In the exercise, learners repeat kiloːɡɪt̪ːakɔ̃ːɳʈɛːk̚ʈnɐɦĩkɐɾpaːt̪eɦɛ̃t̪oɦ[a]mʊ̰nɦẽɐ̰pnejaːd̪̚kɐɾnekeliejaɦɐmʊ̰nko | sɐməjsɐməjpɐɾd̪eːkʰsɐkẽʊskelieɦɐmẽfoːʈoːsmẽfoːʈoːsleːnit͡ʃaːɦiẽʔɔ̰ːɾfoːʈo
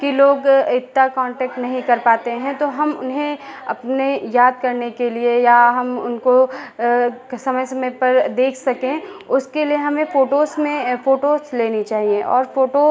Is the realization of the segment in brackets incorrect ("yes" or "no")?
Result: yes